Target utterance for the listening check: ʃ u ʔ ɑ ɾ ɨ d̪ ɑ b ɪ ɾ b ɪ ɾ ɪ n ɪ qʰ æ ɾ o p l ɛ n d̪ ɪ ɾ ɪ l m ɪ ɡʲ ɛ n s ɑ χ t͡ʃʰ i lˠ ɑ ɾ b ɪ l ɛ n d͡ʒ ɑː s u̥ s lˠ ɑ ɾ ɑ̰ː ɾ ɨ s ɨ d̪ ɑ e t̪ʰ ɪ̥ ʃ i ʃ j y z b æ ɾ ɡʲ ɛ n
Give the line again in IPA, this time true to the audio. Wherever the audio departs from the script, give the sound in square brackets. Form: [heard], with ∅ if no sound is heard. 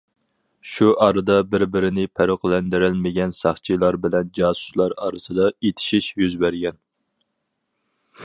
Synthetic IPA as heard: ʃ u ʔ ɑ ɾ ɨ d̪ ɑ b ɪ ɾ b ɪ ɾ ɪ n ɪ [pʰ] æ ɾ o [q] l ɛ n d̪ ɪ ɾ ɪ l m ɪ ɡʲ ɛ n s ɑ χ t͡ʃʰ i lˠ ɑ ɾ b ɪ l ɛ n d͡ʒ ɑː s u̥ s lˠ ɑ ɾ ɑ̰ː ɾ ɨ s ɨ d̪ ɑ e t̪ʰ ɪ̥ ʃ i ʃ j y z b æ ɾ ɡʲ ɛ n